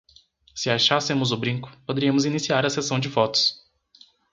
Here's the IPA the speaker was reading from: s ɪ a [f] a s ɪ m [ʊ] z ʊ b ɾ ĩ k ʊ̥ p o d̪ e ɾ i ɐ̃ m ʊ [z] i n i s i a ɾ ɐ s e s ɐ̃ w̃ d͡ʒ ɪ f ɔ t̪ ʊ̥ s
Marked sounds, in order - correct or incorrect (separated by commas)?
incorrect, correct, correct